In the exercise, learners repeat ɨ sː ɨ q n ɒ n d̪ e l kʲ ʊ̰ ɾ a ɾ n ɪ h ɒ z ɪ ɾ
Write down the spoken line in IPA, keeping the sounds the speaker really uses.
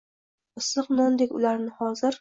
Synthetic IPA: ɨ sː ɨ q n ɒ n d̪ e kʲ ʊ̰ l a ɾ n ɪ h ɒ z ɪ ɾ